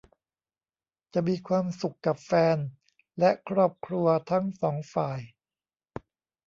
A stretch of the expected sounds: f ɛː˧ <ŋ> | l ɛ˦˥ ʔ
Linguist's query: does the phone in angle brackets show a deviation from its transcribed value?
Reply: yes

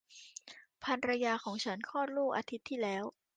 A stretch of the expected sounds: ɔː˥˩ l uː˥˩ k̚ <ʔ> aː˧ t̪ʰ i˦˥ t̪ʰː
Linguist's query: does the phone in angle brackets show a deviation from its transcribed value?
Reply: no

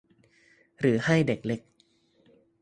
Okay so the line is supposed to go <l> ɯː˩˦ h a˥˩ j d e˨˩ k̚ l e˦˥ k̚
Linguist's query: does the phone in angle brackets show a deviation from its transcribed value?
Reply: yes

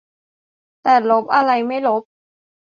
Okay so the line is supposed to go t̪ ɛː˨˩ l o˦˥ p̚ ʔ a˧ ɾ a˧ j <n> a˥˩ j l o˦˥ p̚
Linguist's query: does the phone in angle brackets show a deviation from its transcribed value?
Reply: yes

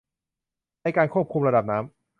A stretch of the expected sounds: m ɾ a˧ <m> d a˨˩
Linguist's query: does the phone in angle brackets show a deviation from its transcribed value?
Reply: yes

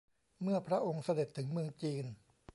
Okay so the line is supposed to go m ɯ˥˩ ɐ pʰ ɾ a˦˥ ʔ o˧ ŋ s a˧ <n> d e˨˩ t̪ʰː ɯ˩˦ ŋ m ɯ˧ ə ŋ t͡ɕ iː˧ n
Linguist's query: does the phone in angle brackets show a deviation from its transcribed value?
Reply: yes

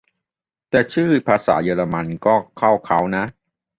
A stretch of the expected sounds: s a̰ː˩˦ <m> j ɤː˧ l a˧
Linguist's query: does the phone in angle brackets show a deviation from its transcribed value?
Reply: yes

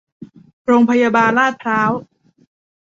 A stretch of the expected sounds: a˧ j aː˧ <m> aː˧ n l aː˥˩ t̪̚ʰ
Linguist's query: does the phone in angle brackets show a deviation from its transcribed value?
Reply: yes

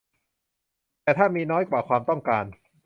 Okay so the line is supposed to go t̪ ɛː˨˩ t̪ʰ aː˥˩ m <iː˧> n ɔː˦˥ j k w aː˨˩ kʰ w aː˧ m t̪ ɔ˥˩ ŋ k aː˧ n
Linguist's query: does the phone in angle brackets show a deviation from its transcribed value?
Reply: no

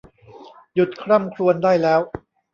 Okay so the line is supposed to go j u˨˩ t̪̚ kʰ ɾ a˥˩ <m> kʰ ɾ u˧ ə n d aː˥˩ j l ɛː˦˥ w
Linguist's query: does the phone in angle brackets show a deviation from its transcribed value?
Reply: no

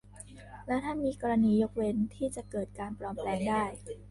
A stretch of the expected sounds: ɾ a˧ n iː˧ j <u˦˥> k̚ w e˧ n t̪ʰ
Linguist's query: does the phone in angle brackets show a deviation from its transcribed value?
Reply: yes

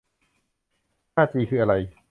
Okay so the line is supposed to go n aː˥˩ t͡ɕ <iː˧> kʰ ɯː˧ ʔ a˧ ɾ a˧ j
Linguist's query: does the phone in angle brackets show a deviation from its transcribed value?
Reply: no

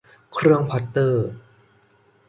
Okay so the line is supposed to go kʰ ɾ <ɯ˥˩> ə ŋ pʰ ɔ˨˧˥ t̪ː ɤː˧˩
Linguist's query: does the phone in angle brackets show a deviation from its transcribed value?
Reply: yes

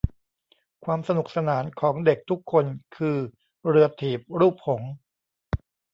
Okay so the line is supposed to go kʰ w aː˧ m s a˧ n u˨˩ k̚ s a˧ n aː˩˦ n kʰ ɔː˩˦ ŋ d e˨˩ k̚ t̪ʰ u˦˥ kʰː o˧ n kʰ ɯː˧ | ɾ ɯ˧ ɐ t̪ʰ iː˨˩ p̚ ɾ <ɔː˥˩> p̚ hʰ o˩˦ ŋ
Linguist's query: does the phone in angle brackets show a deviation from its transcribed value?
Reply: yes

